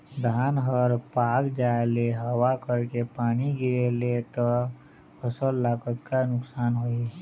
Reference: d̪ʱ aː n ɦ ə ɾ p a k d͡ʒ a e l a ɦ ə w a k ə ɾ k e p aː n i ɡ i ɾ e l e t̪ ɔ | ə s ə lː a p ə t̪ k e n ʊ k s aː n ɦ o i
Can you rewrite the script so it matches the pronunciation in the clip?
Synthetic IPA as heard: d̪ʱ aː n ɦ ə ɾ p a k d͡ʒ a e l e ɦ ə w a k ə ɾ k e p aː n i ɡ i ɾ e l e t̪ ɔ | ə s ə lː a k ə t̪ k a n ʊ k s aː n ɦ o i